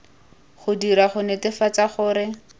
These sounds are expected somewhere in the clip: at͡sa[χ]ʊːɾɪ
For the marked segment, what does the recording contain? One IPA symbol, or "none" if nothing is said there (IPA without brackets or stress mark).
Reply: χ